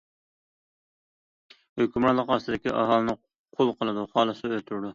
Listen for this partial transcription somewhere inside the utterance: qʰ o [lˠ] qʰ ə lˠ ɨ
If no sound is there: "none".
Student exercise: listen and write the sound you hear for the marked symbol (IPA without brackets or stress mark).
lˠ